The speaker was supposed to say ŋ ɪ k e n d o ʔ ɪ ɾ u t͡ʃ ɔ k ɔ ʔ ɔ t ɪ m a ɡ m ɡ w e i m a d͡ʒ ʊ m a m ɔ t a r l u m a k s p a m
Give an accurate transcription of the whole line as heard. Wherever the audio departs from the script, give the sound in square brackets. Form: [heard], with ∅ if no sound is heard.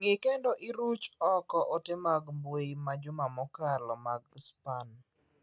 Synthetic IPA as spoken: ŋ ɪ k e n d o ʔ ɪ ɾ u t͡ʃ ɔ k ɔ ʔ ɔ t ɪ m a ɡ m [b] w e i m a d͡ʒ ʊ m a m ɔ [k] a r l [ɔ] m a [ɡ] s p a [n]